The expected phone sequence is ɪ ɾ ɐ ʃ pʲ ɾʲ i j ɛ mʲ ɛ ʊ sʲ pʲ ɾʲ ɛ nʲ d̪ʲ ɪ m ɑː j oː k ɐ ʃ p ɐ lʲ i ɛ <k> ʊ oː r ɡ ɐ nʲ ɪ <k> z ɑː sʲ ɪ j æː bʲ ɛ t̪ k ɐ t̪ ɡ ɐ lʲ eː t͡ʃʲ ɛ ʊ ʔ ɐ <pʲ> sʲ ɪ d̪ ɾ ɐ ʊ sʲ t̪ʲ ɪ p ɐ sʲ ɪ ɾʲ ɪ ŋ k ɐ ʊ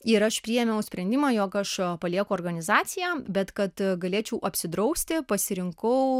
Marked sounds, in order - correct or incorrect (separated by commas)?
correct, incorrect, correct